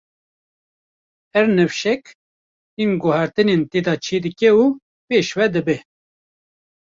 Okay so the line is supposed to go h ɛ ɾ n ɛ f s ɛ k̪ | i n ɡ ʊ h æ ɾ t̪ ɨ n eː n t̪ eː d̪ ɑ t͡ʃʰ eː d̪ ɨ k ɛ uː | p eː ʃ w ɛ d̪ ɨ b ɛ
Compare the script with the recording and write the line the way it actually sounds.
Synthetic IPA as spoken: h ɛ ɾ n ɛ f ʃ ɛ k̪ | i n ɡ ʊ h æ ɾ t̪ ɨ n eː n t̪ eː d̪ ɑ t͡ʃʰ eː d̪ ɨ k ɛ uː | p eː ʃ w ɛ d̪ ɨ b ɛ